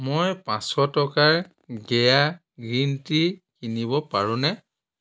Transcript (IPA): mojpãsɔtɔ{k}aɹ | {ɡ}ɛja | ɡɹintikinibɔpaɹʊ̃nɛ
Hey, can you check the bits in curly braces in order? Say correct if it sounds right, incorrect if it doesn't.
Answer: correct, correct

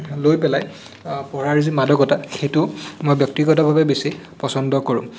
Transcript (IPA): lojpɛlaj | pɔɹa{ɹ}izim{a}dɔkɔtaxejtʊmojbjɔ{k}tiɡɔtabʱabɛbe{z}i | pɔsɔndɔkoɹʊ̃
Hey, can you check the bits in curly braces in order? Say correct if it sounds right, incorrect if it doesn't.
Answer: correct, correct, correct, incorrect: s

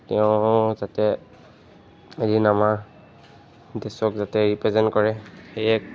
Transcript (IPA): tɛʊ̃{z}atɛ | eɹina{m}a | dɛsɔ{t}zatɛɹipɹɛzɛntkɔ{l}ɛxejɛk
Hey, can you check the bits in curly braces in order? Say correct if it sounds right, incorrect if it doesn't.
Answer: correct, correct, incorrect: k, incorrect: ɹ

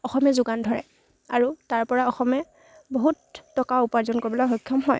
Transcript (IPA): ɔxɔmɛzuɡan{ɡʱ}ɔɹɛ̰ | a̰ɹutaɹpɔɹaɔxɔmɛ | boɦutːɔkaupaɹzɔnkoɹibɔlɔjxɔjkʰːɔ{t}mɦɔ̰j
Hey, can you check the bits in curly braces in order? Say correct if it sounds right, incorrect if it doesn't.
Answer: incorrect: dʱ, incorrect: none

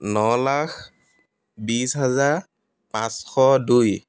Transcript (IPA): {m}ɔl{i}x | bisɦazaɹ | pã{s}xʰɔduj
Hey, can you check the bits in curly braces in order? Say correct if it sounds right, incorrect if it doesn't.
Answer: incorrect: n, incorrect: a, correct

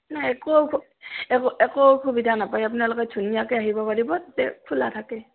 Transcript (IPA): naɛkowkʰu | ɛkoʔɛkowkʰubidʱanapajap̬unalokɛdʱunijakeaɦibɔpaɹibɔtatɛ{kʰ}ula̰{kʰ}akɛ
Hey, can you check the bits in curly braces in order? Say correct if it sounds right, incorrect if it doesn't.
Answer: correct, incorrect: tʰ

